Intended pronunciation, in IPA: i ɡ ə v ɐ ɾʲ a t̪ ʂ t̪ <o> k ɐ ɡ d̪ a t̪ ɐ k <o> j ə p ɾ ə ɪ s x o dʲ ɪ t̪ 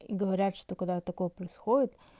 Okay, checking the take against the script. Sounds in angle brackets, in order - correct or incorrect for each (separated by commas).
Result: correct, correct